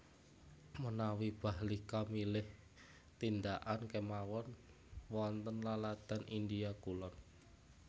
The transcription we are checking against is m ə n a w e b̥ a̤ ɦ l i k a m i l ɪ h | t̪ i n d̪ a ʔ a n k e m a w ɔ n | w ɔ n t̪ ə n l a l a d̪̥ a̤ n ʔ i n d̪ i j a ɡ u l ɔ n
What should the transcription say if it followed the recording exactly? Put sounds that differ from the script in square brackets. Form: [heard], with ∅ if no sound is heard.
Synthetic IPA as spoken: m ə n a w [i] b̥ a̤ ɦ l i k a m i l ɪ h | t̪ i n d̪ a ʔ a n k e m a w ɔ n | w ɔ n t̪ ə n l a l a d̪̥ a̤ n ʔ i n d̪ i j a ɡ u l ɔ n